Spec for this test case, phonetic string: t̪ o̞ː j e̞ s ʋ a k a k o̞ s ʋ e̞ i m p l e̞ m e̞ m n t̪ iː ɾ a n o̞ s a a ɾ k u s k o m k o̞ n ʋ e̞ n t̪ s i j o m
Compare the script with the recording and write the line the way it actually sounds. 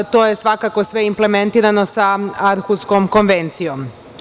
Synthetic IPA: t̪ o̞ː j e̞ s ʋ a k a k o̞ s ʋ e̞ i m p l e̞ m e̞ n t̪ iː ɾ a n o̞ s a a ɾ x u s k o m k o̞ n ʋ e̞ n t̪ s i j o m